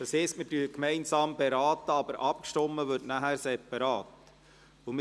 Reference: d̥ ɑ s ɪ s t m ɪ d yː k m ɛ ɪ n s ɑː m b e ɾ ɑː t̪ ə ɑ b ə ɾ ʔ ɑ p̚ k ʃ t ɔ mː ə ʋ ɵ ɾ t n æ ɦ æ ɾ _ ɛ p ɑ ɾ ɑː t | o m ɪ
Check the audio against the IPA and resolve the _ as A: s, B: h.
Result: A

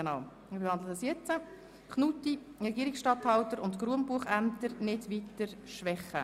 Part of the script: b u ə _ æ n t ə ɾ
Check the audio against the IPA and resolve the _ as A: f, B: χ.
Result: B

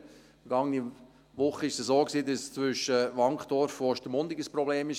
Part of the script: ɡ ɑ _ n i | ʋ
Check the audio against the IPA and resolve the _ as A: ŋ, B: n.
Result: A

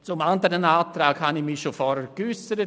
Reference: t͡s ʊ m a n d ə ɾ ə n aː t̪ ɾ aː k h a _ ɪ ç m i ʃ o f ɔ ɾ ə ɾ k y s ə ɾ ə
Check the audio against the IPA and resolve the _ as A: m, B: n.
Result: B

